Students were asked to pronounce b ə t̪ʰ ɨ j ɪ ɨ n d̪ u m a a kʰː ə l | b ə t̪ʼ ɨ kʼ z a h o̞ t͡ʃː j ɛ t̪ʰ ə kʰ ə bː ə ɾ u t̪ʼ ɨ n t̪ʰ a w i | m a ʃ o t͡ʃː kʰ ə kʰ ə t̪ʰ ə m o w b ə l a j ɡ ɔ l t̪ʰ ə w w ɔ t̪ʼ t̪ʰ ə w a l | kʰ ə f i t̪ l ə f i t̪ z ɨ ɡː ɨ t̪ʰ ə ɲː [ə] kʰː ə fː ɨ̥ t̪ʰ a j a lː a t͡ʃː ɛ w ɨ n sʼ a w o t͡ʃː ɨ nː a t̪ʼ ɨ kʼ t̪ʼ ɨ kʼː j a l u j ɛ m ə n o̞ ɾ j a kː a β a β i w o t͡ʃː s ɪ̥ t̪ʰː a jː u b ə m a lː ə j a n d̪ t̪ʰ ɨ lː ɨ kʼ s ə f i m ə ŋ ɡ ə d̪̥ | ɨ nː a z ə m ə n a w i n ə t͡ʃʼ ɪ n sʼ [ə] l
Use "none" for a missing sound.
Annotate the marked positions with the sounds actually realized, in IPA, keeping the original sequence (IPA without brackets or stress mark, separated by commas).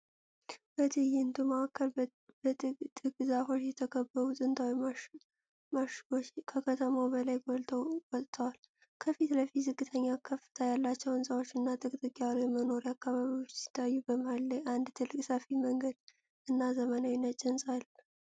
a, a